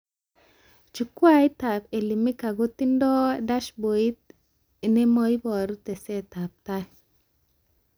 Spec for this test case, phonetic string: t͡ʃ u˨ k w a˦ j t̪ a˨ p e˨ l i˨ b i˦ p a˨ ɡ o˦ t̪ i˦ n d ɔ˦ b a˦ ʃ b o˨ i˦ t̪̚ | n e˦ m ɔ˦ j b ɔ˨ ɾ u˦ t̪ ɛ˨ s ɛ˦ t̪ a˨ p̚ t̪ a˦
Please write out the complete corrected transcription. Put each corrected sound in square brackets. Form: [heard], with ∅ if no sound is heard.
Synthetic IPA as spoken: t͡ʃ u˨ k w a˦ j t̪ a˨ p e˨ l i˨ [m] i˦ [k] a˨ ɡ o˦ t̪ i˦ n d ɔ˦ [d] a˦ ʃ b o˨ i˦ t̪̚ | n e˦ m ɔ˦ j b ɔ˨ ɾ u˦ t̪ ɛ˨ s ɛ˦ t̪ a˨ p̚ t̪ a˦